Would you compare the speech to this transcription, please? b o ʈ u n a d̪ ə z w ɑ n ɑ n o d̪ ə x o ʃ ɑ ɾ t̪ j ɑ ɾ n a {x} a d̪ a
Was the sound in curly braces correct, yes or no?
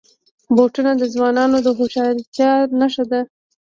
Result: no